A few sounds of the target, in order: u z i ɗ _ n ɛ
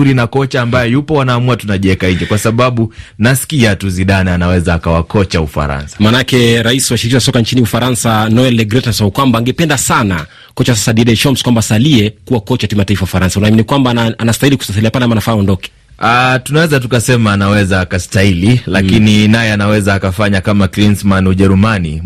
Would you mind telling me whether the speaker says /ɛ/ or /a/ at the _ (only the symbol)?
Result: a